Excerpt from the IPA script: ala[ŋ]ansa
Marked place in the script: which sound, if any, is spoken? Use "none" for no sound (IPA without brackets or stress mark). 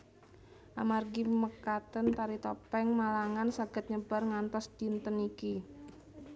ŋ